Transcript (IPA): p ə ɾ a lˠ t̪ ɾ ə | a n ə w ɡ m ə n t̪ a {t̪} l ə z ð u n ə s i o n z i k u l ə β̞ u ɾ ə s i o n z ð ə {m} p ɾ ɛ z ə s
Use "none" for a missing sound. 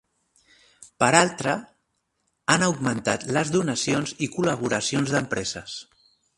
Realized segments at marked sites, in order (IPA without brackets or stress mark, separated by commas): t̪, m